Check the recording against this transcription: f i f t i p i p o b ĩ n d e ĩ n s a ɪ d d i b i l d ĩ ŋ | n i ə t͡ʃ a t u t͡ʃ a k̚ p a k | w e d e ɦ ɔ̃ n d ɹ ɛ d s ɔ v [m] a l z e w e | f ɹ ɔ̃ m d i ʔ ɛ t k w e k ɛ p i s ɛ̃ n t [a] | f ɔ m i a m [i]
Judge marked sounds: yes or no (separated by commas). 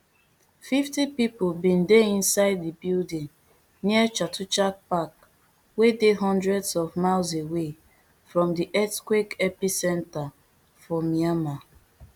yes, yes, no